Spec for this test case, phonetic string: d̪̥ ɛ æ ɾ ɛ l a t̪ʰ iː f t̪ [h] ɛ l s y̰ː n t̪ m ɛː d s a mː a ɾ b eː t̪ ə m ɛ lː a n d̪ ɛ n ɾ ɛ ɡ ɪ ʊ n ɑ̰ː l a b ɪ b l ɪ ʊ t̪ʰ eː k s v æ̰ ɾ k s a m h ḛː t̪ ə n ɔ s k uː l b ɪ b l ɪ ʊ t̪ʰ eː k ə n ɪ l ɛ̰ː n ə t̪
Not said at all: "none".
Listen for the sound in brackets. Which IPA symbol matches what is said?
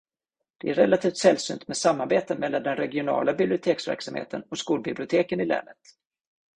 s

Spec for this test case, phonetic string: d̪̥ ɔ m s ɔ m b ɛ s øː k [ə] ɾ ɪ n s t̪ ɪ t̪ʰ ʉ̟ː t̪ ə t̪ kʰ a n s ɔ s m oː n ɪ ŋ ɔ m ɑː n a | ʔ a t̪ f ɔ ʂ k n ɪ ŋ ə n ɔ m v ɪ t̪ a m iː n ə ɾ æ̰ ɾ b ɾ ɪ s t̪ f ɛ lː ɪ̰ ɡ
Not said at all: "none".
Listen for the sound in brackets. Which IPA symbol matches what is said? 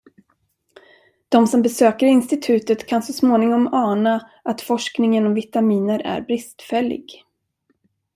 ə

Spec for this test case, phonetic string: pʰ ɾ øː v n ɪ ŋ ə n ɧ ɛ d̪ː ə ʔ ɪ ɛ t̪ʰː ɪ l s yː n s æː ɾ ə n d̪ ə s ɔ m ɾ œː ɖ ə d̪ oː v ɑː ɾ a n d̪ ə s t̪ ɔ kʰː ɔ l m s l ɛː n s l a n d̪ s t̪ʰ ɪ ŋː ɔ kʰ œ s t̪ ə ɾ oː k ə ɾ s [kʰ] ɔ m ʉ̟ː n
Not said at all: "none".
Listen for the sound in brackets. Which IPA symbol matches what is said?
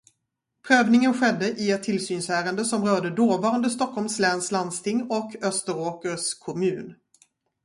kʰ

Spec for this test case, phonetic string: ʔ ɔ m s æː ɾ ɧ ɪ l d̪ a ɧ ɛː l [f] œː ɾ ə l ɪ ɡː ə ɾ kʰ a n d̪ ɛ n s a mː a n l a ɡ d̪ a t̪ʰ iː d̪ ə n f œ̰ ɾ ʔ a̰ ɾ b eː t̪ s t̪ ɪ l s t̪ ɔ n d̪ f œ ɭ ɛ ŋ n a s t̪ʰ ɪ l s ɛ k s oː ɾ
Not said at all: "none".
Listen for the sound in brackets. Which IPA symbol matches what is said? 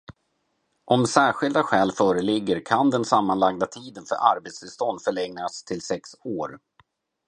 f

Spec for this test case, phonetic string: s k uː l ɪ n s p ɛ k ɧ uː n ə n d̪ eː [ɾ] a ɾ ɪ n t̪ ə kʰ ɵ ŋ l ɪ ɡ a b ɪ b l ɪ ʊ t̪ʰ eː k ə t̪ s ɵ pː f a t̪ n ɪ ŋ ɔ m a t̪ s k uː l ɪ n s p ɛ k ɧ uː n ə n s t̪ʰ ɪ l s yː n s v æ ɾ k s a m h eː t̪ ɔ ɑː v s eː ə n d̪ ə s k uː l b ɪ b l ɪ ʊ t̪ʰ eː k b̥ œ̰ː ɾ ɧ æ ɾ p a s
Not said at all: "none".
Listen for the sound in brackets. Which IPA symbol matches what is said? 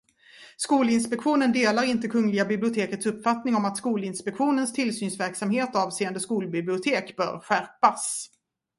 l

